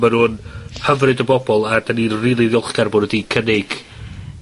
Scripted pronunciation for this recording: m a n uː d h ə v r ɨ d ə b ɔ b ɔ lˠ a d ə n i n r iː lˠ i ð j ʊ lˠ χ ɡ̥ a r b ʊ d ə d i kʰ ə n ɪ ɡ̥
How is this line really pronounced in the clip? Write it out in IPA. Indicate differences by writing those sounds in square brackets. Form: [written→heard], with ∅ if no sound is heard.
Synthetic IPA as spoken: m a n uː [d→n] h ə v r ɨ d ə b ɔ b ɔ lˠ a d [ə→a] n i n r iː lˠ i ð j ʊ lˠ χ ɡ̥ a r b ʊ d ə d i kʰ ə n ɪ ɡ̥